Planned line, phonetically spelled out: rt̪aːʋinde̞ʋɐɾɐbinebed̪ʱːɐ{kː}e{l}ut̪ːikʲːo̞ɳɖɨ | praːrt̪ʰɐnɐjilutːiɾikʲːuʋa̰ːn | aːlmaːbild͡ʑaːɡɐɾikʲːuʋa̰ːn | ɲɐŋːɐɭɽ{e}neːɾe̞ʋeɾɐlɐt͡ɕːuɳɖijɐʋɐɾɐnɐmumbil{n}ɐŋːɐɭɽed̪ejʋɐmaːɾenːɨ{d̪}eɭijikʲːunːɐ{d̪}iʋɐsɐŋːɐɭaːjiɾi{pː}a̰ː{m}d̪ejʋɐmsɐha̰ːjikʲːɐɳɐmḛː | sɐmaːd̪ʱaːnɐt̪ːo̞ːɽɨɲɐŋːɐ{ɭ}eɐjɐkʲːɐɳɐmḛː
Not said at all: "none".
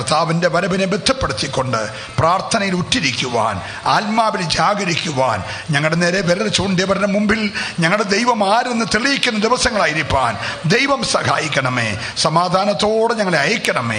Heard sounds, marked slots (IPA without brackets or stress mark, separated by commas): pː, ɽ, e, ɲ, t̪, d̪, pː, n, ɭ